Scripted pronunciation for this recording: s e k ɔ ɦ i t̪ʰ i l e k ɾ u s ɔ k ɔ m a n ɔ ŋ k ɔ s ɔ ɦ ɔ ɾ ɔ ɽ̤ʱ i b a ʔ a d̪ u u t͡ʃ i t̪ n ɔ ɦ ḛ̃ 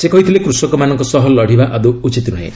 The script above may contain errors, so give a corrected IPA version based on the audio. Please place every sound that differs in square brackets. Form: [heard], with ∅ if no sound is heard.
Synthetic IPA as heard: s e k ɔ ɦ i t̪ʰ i l e k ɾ u s ɔ k ɔ m a n ɔ ŋ k ɔ s ɔ ɦ ɔ [l] ɔ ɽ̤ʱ i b a ʔ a d̪ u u t͡ʃ i t̪ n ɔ ɦ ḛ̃

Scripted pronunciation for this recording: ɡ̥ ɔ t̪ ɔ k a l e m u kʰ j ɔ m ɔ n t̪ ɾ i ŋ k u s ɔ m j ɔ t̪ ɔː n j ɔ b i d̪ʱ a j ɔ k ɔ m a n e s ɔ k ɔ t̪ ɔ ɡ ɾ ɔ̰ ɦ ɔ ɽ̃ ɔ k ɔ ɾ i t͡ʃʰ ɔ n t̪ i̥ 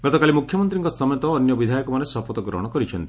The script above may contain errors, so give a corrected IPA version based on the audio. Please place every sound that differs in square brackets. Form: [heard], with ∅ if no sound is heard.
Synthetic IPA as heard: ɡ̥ ɔ t̪ ɔ k a l [i] m u kʰ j ɔ m ɔ n t̪ ɾ i ŋ k [ɔ] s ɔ m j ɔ t̪ ɔː n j ɔ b i d̪ʱ a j ɔ k ɔ m a n e s ɔ [p] ɔ t̪ ɔ ɡ ɾ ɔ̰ ɦ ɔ ɽ̃ ɔ k ɔ ɾ i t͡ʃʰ ɔ n t̪ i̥

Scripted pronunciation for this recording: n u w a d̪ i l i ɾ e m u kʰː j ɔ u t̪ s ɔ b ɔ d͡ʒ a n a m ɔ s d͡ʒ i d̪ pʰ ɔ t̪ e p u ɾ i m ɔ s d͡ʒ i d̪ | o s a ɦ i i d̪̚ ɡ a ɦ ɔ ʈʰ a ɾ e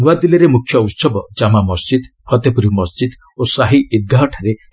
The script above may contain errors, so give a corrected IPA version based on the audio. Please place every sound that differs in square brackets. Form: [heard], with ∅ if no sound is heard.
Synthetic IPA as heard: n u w a d̪ i l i ɾ e m u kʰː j ɔ u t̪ s ɔ b ɔ d͡ʒ a [m] a m ɔ s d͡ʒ i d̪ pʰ ɔ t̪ e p u ɾ i m ɔ s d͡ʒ i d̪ | o s a ɦ i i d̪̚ ɡ a ɦ ɔ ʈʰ a ɾ e

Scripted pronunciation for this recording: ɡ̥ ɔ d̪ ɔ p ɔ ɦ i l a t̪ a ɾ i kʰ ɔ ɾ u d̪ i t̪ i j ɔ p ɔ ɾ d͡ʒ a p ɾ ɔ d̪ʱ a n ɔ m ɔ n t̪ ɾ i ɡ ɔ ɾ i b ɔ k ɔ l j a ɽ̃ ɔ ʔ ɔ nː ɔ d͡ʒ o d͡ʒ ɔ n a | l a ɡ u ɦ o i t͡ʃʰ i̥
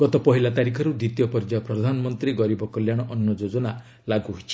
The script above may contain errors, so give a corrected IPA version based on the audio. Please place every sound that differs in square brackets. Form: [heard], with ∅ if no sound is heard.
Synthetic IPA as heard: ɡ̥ ɔ [t̪] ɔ p ɔ ɦ i l a t̪ a ɾ i kʰ ɔ ɾ u d̪ i t̪ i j ɔ p ɔ ɾ d͡ʒ a p ɾ ɔ d̪ʱ a n ɔ m ɔ n t̪ ɾ i ɡ ɔ ɾ i b ɔ k ɔ l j a ɽ̃ ɔ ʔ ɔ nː ɔ d͡ʒ o d͡ʒ ɔ n a | l a ɡ u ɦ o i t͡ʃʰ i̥

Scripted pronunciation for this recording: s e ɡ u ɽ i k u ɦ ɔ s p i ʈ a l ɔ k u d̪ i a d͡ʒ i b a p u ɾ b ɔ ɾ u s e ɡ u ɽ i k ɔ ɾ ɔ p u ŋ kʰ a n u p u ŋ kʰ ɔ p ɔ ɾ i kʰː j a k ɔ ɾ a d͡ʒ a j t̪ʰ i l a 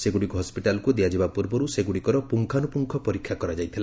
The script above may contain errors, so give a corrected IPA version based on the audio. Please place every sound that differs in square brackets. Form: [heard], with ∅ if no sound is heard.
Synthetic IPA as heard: s e ɡ u ɽ i k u ɦ ɔ s p i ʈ a l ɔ k u d̪ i a d͡ʒ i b a p u ɾ b ɔ ɾ u s e ɡ u ɽ i k ɔ ɾ ɔ p u ŋ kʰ a n u p u ŋ kʰ ɔ p ɔ ɾ i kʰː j a k ɔ ɾ a d͡ʒ a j t̪ʰ i l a

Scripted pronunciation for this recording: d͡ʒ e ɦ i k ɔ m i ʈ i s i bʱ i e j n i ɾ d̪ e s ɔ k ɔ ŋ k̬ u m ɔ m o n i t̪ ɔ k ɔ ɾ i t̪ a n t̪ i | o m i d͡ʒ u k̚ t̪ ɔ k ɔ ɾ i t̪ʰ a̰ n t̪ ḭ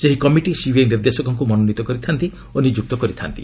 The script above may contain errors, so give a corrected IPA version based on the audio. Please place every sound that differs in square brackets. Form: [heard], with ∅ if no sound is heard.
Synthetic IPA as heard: d͡ʒ e ɦ i k ɔ m i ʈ i s i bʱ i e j n i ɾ d̪ e s ɔ k ɔ ŋ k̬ u m ɔ [n] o n i t̪ ɔ k ɔ ɾ i [t̪ʰ] a n t̪ i | o [n] i d͡ʒ u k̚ t̪ ɔ k ɔ ɾ i t̪ʰ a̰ n t̪ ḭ

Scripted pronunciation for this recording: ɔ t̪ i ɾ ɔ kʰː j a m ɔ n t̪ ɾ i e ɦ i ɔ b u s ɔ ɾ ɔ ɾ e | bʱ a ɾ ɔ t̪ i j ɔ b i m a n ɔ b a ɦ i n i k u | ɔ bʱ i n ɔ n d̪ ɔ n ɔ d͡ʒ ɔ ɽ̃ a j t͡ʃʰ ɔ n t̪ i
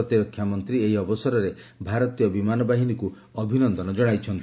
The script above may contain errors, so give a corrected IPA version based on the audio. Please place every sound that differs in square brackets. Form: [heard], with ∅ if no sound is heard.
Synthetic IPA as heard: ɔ t̪ i ɾ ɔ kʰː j a m ɔ n t̪ ɾ i e ɦ i ɔ b [ɔ] s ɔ ɾ ɔ ɾ e | bʱ a ɾ ɔ t̪ i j ɔ b i m a n ɔ b a ɦ i n i k u | ɔ bʱ i n ɔ n d̪ ɔ n ɔ d͡ʒ ɔ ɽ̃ a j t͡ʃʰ ɔ n t̪ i

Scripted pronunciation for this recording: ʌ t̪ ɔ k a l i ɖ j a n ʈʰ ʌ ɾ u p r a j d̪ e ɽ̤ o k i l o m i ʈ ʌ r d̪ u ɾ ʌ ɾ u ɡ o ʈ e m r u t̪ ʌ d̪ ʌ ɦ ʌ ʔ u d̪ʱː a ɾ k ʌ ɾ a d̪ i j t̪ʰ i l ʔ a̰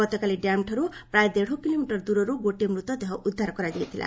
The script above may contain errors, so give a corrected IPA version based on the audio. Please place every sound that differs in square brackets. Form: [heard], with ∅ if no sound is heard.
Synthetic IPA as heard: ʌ t̪ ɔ k a l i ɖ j a [m] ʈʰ ʌ ɾ u p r a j d̪ e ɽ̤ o k i l o m i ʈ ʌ r d̪ u ɾ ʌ ɾ u ɡ o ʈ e m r u t̪ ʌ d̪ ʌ ɦ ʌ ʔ u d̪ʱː a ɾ k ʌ ɾ a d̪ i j t̪ʰ i l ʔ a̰

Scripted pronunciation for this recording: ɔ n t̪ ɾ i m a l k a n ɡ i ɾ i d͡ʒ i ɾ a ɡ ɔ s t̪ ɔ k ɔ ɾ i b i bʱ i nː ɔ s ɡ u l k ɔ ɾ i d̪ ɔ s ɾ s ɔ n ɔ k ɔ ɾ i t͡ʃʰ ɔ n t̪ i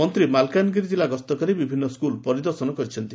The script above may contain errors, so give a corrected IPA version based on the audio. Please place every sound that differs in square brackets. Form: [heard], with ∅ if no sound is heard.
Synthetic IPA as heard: ɔ n t̪ ɾ i m a l k a n ɡ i ɾ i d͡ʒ i [l] a ɡ ɔ s t̪ ɔ k ɔ ɾ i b i bʱ i nː ɔ s [k] u l [p] ɔ ɾ i d̪ ɔ [∅] ɾ s ɔ n ɔ k ɔ ɾ i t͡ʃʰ ɔ n t̪ i

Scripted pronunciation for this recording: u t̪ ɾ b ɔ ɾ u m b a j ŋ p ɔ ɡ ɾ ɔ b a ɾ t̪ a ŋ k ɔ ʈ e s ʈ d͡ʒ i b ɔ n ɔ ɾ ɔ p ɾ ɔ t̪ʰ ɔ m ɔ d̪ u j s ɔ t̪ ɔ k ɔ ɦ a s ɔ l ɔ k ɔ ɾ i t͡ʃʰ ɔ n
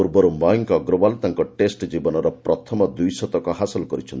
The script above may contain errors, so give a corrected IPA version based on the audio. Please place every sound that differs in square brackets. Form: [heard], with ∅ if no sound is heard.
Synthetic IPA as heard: u [∅] ɾ b ɔ ɾ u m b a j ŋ [k] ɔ ɡ ɾ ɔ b a [l] t̪ a ŋ k ɔ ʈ e s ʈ d͡ʒ i b ɔ n ɔ ɾ ɔ p ɾ ɔ t̪ʰ ɔ m ɔ d̪ u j s ɔ t̪ ɔ k ɔ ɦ a s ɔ l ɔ k ɔ ɾ i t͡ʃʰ ɔ n

